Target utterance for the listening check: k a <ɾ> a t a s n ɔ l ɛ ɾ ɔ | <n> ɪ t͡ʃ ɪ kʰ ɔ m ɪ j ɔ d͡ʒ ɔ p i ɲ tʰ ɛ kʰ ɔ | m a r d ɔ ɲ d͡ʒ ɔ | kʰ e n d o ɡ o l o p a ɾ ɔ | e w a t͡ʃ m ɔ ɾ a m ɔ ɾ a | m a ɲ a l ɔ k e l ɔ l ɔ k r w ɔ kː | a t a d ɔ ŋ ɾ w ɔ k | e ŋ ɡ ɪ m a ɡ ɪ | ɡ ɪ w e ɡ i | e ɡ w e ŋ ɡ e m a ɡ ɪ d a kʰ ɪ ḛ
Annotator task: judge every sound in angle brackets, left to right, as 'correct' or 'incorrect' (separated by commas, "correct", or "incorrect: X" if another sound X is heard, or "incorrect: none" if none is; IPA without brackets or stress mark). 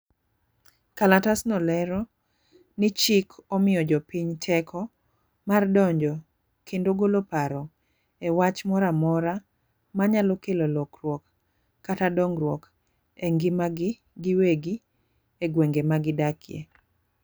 incorrect: l, correct